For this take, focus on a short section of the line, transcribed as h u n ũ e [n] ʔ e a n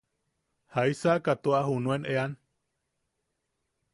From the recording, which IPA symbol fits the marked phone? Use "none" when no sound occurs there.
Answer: n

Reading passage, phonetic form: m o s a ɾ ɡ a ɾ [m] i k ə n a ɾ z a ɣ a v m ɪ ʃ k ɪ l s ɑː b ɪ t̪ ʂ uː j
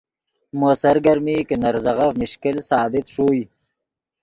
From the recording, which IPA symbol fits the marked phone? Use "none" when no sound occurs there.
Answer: m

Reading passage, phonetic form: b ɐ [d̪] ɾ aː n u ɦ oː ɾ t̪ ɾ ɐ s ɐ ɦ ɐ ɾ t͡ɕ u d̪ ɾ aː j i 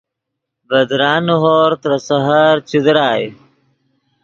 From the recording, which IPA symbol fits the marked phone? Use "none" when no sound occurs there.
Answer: d̪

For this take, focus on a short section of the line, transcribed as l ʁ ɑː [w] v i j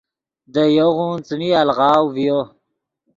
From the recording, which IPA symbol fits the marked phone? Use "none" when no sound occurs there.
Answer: w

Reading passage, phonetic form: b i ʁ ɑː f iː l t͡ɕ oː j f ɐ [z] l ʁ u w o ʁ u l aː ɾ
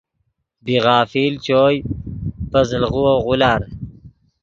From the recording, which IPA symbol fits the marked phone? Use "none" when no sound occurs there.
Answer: z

